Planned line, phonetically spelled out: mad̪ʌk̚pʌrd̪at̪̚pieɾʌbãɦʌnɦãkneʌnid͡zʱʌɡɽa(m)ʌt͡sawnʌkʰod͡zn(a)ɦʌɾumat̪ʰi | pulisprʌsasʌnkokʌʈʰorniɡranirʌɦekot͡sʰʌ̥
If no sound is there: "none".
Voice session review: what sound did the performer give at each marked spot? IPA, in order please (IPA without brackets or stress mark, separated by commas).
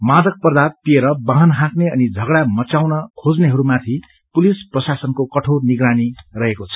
m, e